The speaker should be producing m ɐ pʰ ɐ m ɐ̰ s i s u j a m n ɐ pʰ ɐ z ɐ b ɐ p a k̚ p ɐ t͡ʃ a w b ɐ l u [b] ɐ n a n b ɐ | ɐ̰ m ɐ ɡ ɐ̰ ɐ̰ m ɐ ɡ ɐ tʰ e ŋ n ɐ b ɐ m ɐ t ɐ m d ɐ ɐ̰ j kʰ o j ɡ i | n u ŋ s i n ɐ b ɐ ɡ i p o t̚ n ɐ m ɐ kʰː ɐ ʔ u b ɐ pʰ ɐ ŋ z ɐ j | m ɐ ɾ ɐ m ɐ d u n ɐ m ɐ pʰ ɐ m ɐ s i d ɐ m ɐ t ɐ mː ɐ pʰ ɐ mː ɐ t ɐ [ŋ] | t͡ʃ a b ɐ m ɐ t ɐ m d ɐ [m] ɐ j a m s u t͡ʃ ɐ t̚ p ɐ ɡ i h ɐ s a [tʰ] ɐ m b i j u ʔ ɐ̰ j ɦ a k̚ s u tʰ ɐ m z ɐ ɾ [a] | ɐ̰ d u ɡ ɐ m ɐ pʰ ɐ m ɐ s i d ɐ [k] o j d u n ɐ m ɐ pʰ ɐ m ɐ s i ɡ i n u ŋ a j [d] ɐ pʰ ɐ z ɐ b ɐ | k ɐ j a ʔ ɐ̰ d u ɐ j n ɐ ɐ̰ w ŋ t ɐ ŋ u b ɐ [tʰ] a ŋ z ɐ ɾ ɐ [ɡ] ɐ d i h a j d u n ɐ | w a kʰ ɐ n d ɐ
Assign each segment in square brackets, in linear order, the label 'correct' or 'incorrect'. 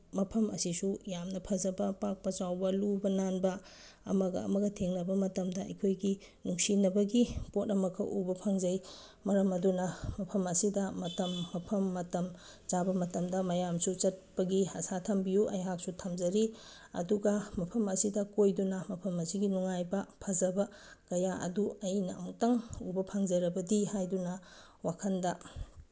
correct, incorrect: m, correct, correct, incorrect: i, correct, incorrect: b, incorrect: pʰ, incorrect: b

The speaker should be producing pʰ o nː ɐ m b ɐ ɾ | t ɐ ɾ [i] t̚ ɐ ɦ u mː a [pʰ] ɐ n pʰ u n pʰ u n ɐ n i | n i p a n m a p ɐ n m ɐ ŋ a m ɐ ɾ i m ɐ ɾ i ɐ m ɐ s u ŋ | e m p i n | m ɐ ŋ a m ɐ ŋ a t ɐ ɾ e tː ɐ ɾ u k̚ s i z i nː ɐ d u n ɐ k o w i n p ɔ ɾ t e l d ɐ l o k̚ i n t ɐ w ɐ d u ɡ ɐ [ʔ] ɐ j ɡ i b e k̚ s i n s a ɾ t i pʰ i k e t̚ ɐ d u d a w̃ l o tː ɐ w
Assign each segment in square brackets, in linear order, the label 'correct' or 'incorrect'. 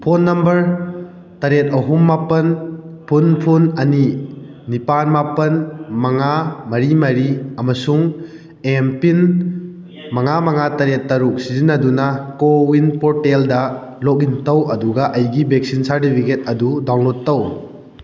incorrect: e, incorrect: p, correct

